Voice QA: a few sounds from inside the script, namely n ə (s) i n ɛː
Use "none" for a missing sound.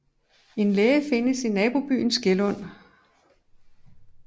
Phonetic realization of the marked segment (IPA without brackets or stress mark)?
s